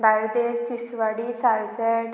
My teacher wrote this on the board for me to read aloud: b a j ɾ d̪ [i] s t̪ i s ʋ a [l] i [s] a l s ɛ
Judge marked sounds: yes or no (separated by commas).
no, no, yes